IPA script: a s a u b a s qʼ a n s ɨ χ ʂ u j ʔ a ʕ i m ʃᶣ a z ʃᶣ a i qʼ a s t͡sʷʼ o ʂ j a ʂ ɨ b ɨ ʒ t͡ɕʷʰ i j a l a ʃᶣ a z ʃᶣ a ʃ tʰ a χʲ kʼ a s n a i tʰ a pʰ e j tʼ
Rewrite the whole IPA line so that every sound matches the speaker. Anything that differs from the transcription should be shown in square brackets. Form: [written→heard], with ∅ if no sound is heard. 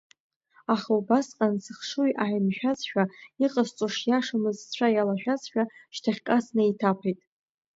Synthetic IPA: a [s→χ] a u b a s qʼ a n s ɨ χ ʂ u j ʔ a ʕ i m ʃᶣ a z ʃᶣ a i qʼ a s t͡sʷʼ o ʂ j a ʂ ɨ [b→m] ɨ [ʒ→z] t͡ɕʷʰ [i→a] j a l a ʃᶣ a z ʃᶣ a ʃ tʰ a χʲ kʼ a s n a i tʰ a pʰ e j tʼ